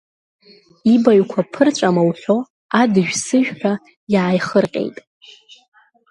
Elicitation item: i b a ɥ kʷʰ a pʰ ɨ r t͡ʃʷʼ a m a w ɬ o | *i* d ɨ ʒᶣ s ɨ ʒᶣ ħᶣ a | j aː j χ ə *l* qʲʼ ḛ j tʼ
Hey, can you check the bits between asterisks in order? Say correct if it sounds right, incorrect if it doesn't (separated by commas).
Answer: incorrect, incorrect